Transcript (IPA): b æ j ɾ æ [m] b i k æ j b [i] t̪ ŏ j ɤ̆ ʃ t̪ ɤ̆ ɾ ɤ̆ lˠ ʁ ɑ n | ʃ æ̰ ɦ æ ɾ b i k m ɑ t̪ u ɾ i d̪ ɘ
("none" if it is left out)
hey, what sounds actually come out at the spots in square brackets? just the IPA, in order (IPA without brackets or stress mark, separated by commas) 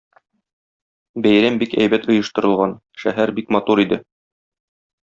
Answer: m, æ